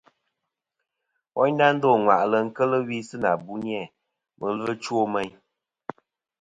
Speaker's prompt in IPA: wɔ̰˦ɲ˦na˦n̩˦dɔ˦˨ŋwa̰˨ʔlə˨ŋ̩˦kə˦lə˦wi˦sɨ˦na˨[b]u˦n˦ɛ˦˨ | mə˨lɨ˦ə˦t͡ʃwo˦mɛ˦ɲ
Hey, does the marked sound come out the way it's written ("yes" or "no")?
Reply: yes